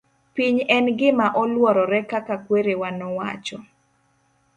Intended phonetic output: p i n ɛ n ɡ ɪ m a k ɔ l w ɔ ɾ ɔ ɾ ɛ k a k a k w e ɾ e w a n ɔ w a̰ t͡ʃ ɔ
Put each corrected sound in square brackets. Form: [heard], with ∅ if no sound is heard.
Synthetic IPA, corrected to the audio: p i [ɲ] ɛ n ɡ ɪ m a [ʔ] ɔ l w ɔ ɾ ɔ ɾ ɛ k a k a k w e ɾ e w a n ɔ w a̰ t͡ʃ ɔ